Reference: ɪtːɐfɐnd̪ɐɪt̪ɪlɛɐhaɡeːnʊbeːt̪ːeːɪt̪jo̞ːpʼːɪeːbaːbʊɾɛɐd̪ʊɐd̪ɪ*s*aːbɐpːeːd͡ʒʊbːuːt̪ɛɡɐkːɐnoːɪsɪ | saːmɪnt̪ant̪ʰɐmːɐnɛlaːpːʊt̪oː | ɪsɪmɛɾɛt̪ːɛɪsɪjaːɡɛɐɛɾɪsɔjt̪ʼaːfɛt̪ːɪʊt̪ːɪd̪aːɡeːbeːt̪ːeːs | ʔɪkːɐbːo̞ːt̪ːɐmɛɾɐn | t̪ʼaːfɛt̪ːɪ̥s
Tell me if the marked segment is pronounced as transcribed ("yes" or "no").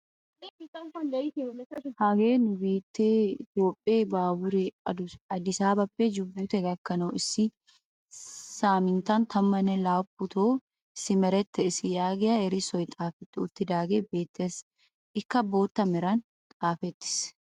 yes